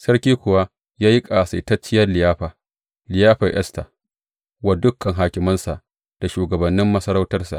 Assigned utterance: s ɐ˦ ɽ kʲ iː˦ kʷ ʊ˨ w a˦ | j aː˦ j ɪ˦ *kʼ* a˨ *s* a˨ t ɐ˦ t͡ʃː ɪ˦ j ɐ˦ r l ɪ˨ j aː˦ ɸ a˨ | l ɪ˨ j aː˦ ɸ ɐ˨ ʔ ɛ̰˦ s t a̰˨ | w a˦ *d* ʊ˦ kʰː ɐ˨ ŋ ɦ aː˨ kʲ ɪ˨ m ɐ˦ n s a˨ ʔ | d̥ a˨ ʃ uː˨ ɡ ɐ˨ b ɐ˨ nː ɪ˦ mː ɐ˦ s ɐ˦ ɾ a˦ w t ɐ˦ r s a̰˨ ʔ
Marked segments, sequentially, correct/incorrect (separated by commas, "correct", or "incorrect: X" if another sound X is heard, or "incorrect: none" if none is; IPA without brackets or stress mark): correct, correct, correct